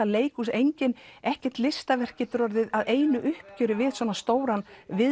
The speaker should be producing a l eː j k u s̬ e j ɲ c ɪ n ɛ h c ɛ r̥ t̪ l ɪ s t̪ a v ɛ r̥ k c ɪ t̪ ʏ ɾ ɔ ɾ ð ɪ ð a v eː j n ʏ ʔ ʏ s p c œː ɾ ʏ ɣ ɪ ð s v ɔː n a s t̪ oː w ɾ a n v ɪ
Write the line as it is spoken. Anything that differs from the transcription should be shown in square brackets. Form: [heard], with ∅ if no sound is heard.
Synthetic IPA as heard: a l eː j k u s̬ e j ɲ c ɪ n ɛ h c ɛ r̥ t̪ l ɪ s t̪ a v ɛ r̥ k c ɪ t̪ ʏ ɾ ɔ ɾ ð ɪ ð a [ð] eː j n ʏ ʔ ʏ [h] p c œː ɾ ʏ [v] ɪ ð s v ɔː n a s t̪ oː w ɾ a n v ɪ